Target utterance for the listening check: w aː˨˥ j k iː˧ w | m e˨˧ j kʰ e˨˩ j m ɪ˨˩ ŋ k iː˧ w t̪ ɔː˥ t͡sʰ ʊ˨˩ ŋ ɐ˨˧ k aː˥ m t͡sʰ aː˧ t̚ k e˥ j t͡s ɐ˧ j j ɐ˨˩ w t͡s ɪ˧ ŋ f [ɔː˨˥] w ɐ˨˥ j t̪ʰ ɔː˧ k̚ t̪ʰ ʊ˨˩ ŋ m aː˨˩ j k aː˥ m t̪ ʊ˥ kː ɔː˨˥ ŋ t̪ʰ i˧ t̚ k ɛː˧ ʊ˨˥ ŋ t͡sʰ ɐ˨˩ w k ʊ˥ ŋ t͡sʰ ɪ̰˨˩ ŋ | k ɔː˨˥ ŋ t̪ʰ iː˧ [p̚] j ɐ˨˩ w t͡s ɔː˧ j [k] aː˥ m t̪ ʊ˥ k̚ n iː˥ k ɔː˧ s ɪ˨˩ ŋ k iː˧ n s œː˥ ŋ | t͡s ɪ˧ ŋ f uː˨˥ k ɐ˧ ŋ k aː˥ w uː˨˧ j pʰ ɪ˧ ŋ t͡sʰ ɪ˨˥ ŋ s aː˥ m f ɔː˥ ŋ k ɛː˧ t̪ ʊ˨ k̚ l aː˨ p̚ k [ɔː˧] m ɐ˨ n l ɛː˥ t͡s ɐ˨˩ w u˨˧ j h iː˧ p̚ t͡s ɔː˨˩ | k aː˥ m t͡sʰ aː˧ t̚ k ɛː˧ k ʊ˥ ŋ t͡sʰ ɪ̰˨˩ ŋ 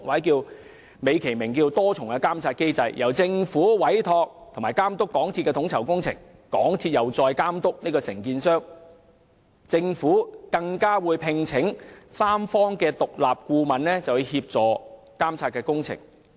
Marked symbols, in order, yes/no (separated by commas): no, no, yes, no